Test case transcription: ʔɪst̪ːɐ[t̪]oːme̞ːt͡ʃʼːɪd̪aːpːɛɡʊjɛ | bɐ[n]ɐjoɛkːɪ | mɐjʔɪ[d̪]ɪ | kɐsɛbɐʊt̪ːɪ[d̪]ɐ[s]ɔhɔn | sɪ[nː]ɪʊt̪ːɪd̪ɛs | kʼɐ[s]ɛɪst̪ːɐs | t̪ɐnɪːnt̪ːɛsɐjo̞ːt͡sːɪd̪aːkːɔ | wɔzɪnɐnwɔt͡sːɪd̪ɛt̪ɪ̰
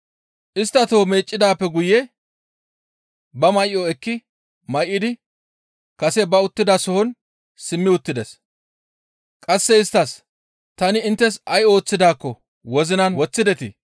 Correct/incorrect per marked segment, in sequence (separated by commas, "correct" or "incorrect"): correct, incorrect, correct, correct, correct, incorrect, incorrect